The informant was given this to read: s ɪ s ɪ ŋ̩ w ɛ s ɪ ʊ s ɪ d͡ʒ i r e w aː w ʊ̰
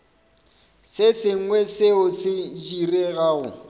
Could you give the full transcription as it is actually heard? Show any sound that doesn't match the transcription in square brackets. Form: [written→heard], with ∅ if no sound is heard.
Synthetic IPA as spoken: s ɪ s ɪ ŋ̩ w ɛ s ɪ ʊ s ɪ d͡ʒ i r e [w→ɣ] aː [w→ɣ] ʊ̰